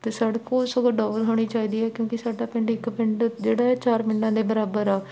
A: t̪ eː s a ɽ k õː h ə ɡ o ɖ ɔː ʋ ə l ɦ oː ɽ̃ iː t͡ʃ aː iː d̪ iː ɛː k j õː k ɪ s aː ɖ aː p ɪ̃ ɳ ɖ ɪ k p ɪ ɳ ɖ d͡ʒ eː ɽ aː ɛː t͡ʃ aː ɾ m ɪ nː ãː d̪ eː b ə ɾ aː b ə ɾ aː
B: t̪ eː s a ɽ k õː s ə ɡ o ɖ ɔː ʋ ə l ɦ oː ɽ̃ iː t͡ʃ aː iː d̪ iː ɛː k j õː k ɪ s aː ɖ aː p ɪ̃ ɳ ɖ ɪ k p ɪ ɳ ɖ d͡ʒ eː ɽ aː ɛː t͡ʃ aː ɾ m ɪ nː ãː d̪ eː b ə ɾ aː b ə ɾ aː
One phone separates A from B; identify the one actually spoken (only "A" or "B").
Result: B